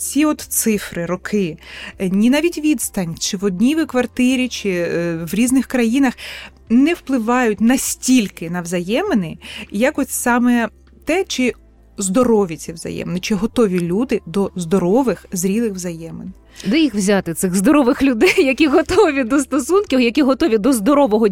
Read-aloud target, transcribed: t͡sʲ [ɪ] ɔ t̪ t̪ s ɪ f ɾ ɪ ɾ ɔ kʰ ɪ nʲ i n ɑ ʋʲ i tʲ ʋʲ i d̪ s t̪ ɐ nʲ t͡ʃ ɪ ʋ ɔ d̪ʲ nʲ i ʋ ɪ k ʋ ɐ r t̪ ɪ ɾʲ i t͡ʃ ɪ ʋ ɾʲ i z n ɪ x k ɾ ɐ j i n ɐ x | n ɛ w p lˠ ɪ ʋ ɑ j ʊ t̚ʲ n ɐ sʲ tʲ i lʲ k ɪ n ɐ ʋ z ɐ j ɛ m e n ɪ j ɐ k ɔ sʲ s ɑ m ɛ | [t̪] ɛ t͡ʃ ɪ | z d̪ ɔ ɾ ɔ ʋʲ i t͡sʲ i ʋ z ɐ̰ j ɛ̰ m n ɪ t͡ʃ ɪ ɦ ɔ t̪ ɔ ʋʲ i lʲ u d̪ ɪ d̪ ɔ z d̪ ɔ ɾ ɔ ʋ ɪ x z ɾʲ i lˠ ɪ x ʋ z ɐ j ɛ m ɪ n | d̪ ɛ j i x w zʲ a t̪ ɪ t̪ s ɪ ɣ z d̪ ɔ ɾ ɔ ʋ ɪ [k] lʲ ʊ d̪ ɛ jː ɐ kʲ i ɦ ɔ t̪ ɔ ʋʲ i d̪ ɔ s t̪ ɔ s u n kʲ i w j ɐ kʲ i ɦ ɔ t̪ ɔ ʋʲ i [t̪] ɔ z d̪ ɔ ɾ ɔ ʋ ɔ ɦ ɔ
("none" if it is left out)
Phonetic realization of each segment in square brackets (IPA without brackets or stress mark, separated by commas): i, t̪, x, d̪